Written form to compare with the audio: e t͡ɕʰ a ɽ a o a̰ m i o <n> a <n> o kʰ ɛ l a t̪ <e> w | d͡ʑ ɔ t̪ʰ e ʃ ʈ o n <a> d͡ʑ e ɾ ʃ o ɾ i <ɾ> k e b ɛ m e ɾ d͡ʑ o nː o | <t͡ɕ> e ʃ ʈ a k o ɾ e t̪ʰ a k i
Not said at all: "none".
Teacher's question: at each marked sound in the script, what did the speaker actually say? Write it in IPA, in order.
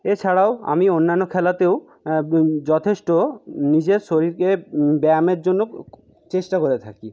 nː, nː, e, i, ɾ, t͡ɕ

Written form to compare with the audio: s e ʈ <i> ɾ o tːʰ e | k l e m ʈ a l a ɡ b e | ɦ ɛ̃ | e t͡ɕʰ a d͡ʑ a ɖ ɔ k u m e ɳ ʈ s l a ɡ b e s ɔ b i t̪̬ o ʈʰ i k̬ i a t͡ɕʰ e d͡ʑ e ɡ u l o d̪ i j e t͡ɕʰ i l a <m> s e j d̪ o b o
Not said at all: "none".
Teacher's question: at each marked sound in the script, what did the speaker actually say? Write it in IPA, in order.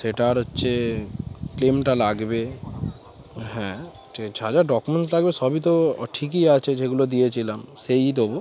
a, m

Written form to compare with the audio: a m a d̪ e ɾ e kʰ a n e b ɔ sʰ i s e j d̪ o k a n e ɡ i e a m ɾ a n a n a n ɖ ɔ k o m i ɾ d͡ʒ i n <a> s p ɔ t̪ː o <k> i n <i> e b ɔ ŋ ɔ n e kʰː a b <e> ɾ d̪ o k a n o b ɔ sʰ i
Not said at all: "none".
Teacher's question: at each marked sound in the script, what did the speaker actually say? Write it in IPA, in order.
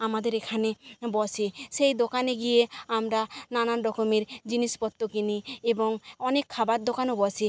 i, k, i, a

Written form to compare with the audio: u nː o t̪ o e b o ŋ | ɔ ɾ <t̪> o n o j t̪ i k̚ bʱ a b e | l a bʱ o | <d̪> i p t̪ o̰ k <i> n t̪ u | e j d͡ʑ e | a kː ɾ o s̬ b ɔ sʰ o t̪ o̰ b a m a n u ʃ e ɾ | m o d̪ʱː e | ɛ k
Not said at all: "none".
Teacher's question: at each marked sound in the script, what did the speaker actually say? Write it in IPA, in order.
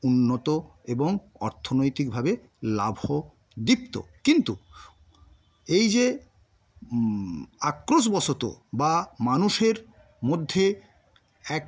t̪ʰ, d̪, i

